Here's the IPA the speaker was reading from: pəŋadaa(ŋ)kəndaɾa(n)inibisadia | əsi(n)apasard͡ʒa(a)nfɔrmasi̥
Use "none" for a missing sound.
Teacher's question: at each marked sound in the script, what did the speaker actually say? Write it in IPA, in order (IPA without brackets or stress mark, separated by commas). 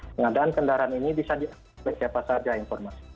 n, n, none, i